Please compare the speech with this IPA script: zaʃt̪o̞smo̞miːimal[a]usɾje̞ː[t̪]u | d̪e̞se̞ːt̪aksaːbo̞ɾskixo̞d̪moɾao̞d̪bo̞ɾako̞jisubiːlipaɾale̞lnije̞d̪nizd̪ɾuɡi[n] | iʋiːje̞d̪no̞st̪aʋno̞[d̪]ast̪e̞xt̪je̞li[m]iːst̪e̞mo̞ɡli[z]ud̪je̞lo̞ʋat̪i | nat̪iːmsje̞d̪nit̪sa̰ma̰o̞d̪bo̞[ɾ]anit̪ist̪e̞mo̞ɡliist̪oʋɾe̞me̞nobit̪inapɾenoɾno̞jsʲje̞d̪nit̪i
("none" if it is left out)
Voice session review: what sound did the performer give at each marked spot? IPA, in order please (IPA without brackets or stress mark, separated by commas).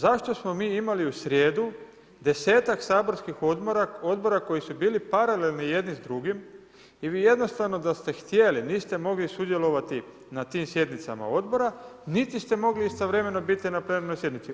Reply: i, d̪, m, d̪, n, s, ɾ